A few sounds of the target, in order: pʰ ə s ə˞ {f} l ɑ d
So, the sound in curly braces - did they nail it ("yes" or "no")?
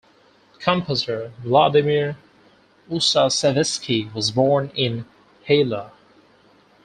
no